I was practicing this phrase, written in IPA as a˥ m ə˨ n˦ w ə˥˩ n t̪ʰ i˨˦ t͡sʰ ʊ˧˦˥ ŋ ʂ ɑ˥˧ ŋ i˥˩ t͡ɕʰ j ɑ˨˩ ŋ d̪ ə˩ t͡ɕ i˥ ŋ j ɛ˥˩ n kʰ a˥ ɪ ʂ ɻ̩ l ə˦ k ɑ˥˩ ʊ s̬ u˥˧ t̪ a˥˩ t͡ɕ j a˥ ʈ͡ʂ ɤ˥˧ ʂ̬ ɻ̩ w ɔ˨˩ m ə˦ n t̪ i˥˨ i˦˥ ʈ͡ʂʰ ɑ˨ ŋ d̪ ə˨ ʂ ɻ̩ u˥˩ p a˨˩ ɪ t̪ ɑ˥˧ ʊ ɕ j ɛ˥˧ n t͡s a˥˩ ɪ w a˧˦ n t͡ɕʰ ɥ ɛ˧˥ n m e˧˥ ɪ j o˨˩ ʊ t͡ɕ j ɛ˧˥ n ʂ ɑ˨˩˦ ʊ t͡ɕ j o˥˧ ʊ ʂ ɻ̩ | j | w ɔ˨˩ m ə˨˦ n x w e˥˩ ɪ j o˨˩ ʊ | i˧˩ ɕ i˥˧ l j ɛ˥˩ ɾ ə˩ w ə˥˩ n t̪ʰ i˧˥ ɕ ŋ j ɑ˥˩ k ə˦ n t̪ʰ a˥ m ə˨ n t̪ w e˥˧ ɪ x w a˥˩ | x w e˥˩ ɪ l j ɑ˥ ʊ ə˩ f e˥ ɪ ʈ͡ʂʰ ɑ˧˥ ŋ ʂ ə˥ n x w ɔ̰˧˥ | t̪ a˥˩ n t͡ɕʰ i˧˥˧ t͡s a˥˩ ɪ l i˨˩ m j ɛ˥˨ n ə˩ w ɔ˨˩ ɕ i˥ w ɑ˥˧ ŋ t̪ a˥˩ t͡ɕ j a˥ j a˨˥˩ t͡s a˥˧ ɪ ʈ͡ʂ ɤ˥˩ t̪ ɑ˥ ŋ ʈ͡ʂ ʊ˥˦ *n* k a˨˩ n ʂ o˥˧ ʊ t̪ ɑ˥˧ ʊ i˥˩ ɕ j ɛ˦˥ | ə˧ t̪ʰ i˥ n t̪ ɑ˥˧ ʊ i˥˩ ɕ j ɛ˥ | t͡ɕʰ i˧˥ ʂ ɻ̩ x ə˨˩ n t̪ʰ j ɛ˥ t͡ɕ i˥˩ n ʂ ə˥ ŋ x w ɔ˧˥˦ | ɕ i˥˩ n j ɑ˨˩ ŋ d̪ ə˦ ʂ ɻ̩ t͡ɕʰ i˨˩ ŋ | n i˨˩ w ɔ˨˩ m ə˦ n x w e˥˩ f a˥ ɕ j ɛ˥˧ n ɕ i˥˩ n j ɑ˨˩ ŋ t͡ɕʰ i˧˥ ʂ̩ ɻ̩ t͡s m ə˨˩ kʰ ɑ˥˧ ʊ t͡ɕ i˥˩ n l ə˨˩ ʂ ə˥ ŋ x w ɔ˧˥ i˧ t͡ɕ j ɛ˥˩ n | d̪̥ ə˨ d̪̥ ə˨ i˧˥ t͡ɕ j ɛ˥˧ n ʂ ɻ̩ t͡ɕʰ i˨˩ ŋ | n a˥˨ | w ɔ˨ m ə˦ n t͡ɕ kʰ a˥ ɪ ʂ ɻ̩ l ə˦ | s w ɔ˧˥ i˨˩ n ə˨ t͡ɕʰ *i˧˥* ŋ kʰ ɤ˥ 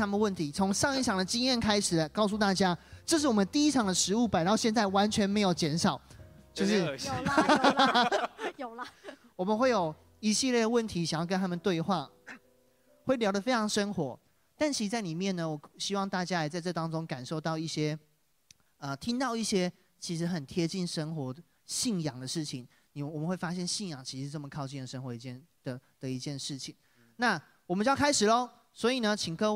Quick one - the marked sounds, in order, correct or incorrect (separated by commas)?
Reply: incorrect, incorrect